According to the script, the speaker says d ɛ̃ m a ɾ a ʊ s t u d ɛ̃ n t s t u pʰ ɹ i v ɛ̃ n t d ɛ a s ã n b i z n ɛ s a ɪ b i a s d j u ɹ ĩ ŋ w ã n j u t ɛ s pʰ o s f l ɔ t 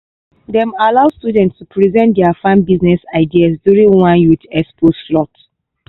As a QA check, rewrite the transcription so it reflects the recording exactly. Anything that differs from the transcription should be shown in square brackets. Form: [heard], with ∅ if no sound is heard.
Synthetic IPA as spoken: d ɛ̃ m a [l] a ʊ s t u d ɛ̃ n t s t u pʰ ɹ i [z] ɛ̃ n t d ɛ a [f] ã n b i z n ɛ s a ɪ [d] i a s d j u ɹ ĩ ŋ w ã n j u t ɛ s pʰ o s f l ɔ t